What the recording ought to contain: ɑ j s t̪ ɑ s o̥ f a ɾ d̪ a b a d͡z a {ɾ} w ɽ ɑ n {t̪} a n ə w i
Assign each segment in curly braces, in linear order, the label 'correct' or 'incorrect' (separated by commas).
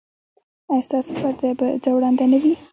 incorrect, incorrect